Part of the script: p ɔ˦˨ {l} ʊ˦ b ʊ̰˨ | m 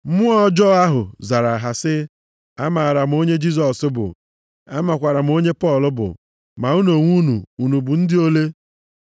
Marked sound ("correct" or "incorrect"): correct